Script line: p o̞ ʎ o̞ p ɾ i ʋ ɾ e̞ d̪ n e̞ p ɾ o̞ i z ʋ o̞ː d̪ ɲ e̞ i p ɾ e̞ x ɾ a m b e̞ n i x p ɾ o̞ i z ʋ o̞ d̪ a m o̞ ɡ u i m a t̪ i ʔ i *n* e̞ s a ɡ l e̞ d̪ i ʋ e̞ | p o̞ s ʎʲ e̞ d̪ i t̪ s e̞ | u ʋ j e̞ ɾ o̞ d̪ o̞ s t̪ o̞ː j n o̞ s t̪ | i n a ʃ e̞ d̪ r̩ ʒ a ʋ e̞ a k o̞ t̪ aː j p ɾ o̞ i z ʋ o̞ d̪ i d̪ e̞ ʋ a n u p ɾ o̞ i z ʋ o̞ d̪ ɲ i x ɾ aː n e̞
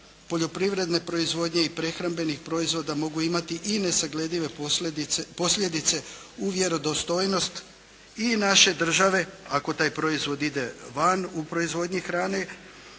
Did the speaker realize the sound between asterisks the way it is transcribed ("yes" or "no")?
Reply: yes